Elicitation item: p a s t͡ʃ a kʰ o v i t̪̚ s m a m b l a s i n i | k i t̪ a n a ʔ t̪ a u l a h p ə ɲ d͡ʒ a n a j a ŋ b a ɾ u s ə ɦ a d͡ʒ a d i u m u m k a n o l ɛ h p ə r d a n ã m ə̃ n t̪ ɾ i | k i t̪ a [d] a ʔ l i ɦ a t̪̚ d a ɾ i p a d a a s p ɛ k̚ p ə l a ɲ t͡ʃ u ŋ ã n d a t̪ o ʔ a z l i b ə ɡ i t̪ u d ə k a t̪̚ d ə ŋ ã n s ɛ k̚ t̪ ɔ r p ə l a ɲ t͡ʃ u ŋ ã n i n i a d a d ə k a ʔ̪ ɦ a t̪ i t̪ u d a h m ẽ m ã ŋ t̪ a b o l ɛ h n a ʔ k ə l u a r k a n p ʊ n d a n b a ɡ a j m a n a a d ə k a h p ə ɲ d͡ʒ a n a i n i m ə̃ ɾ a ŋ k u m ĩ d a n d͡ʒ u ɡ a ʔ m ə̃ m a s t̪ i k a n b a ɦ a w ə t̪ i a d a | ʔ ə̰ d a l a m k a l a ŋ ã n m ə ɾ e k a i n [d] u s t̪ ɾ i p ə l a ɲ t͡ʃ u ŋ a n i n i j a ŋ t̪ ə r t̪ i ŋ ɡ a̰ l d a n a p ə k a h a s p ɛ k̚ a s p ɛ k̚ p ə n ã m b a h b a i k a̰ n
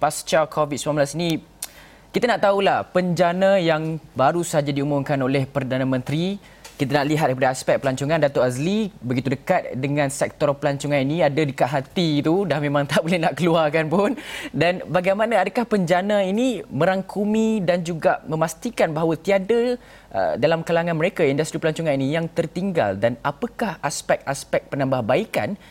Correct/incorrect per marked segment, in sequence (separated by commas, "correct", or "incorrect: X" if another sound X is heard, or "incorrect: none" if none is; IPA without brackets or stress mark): incorrect: n, correct